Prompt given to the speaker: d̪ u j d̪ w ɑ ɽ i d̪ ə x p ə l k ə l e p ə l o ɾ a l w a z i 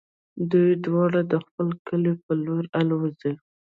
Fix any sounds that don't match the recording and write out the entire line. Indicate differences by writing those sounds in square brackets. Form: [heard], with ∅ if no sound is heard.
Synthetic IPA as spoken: d̪ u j d̪ w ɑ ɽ [a] d̪ ə x p ə l k ə l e p ə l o ɾ a l w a z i